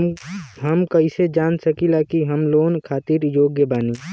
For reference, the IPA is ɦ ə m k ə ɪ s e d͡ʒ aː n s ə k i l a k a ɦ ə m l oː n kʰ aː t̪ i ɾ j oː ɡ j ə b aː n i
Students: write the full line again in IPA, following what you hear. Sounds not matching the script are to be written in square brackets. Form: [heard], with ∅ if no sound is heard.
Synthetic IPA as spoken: ɦ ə m k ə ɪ s e d͡ʒ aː n s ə k i l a k [i] ɦ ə m l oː n kʰ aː t̪ i ɾ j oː ɡ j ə b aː n i